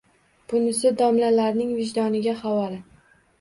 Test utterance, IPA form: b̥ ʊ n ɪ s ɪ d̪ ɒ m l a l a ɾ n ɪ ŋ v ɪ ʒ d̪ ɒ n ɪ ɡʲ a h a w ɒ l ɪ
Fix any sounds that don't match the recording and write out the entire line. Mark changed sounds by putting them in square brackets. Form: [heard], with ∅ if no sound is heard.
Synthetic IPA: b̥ ʊ n ɪ s ɪ d̪ ɒ m l a l a ɾ n ɪ ŋ v ɪ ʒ d̪ ɒ n ɪ ɡʲ a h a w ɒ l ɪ